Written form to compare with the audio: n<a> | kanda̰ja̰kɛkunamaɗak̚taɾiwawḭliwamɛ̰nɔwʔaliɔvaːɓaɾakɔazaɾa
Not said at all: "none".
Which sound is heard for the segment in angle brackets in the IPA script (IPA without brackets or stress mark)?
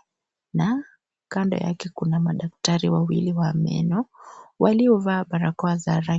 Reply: a